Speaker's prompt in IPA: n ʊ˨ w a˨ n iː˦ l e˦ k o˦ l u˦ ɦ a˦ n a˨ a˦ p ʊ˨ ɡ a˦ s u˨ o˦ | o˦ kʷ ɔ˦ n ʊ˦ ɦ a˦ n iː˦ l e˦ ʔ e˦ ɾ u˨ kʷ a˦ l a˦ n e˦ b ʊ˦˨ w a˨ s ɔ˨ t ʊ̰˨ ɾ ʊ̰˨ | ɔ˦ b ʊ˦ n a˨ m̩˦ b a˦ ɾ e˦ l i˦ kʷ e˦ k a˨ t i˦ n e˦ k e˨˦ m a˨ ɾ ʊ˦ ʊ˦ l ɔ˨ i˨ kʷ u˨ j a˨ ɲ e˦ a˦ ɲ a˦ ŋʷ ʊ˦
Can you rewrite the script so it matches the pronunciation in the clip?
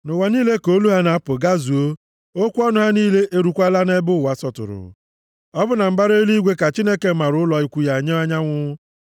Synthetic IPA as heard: n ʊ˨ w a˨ n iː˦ l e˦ k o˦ l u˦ ɦ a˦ n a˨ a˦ p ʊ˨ ɡ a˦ z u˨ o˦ | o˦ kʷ ɔ˦ n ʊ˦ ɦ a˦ n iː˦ l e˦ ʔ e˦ ɾ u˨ kʷ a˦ l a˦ n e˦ b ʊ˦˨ w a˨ s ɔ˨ t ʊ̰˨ ɾ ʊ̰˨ | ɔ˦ b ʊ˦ n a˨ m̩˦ b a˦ ɾ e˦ l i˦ ɡʷ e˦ k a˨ t͡ʃ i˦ n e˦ k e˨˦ m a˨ ɾ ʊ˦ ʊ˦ l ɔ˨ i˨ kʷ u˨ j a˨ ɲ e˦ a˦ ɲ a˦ ŋʷ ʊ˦

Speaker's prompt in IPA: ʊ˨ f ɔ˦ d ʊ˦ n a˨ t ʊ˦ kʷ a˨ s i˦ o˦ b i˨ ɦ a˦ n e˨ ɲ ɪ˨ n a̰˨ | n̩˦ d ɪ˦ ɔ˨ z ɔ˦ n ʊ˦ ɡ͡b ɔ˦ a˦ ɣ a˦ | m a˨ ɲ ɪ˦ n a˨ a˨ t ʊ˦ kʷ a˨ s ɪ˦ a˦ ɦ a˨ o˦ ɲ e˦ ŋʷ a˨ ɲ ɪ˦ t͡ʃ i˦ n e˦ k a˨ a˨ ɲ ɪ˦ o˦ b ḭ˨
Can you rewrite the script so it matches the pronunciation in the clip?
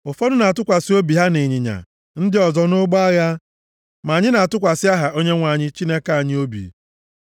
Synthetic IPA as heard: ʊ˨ f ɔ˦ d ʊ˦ n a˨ t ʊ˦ kʷ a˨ s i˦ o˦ b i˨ ɦ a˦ n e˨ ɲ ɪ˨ ɲ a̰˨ | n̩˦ d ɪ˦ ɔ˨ z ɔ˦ n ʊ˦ ɡ͡b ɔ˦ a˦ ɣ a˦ | m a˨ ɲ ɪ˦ n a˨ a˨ t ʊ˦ kʷ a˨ s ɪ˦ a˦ ɦ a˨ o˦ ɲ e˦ ŋʷ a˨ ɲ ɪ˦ t͡ʃ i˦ n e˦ k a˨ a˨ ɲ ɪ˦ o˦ b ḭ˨

